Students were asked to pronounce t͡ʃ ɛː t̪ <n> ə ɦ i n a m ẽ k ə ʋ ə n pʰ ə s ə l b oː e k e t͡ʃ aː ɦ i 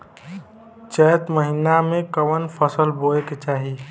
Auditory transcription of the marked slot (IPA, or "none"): m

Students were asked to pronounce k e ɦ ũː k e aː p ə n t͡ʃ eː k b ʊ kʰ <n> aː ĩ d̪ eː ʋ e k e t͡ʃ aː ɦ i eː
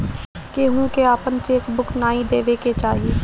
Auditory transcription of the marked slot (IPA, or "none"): n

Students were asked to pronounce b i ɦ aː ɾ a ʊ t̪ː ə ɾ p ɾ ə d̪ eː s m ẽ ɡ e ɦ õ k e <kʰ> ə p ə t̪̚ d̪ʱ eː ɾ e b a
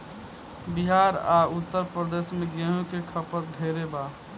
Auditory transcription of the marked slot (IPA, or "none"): kʰ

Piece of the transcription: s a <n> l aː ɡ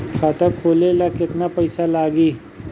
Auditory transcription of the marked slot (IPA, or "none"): none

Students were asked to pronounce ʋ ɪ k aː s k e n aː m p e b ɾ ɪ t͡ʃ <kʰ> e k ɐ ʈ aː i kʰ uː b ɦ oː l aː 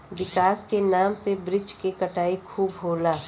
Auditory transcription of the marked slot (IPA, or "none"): k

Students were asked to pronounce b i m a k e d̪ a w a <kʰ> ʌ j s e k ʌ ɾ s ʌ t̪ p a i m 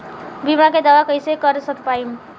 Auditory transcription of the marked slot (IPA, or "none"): k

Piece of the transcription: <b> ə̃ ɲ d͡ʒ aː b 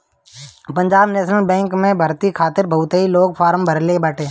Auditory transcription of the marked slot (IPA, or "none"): p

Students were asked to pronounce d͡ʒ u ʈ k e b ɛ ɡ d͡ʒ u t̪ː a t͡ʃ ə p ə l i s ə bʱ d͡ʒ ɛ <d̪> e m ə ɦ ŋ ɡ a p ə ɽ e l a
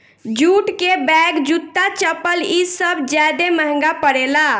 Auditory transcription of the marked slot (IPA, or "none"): d̪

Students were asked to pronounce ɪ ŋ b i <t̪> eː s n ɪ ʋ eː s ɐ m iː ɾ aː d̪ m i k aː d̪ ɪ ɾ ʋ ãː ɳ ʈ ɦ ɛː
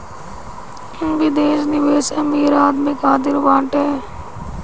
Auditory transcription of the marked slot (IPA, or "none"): d̪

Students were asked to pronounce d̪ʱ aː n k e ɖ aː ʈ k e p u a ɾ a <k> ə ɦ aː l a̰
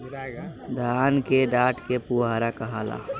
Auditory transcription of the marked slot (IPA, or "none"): k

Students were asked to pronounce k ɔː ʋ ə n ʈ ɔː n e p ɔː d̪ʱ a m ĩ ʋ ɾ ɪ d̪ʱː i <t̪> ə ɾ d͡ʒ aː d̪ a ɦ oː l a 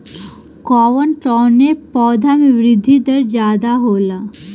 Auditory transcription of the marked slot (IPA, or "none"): d̪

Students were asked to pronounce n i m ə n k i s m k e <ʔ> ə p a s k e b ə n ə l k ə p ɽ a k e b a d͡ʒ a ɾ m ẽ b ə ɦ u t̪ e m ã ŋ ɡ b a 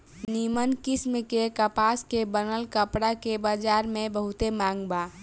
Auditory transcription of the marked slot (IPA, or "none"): k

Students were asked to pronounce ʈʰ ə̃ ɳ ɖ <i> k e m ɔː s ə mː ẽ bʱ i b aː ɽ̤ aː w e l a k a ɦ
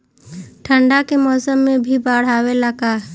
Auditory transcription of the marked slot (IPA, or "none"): a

